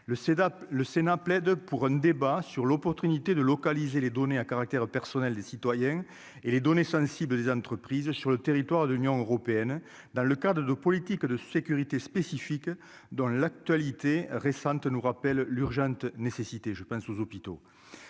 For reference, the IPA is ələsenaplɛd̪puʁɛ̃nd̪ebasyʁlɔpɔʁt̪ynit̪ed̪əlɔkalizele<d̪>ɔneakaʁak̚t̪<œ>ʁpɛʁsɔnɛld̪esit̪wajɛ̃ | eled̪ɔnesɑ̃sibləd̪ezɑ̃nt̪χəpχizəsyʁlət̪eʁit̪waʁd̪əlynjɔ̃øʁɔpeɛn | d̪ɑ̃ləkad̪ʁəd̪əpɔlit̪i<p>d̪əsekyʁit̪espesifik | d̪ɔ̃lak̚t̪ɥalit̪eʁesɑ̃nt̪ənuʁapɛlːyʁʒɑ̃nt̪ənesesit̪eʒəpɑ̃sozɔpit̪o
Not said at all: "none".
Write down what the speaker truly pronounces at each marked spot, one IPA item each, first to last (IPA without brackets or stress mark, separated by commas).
d̪, ɛ, k